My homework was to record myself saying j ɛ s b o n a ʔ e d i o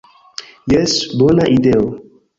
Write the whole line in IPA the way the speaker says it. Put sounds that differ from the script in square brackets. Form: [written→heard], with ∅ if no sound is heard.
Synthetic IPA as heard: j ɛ s b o n a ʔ [e→i] d [i→e] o